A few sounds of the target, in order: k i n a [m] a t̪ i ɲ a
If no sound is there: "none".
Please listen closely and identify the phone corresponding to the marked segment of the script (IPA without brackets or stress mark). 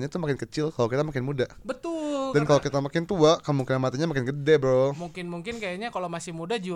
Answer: m